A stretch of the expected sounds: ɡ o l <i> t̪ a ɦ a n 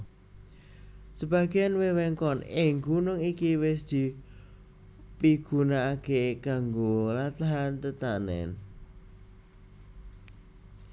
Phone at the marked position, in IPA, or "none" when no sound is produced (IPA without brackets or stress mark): a